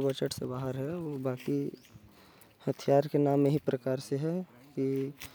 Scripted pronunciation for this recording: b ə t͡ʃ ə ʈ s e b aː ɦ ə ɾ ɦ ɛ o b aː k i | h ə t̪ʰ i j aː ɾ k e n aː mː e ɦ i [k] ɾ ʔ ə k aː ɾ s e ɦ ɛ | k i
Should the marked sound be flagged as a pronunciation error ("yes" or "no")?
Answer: yes